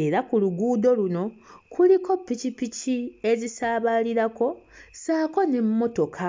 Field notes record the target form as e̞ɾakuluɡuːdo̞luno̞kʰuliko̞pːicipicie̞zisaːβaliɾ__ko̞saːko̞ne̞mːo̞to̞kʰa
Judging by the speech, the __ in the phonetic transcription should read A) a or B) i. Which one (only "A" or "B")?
A